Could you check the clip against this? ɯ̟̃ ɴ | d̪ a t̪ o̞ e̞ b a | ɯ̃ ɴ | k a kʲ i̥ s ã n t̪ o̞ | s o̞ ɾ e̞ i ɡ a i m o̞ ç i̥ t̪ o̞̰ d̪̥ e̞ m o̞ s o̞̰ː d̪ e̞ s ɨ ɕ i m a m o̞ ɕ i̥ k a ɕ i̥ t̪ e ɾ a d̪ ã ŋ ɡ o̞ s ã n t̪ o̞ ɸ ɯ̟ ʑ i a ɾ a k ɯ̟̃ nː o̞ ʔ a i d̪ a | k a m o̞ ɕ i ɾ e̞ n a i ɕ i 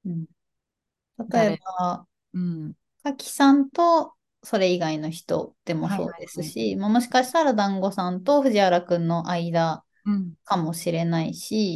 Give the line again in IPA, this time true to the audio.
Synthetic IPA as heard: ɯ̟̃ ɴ | t̪ a t̪ o̞ e̞ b a | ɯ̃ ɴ | k a kʲ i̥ s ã n t̪ o̞ | s o̞ ɾ e̞ i ɡ a i n o̞ ç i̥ t̪ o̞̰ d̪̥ e̞ m o̞ s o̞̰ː d̪ e̞ s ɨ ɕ i m a m o̞ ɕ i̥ k a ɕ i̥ t̪ a ɾ a d̪ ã ŋ ɡ o̞ s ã n t̪ o̞ ɸ ɯ̟ ʑ i a ɾ a k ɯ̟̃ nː o̞ ʔ a i d̪ a | k a m o̞ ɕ i ɾ e̞ n a i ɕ i